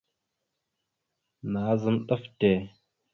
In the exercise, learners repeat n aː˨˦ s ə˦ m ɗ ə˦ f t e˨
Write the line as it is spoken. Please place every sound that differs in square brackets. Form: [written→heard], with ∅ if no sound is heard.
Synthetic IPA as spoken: n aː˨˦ [s→z] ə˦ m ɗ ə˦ f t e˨